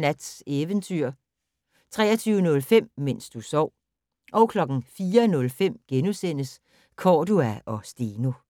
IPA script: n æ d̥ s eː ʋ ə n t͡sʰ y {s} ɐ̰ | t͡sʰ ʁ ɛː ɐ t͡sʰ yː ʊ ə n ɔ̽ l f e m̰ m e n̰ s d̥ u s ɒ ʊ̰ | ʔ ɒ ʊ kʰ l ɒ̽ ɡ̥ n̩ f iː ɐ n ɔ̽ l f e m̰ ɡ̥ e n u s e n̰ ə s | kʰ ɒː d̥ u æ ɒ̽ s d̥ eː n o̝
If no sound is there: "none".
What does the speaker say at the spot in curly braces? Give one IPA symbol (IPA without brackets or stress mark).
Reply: none